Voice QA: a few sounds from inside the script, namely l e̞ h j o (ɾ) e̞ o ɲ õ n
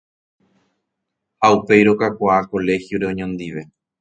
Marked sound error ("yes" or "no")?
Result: no